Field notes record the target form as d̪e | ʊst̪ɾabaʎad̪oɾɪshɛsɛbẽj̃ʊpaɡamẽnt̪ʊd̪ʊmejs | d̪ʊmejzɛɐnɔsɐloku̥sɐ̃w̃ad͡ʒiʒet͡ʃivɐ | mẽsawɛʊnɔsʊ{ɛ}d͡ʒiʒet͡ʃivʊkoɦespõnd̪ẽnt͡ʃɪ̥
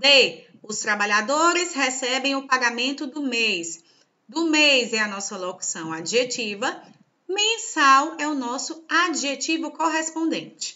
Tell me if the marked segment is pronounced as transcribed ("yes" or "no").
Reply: no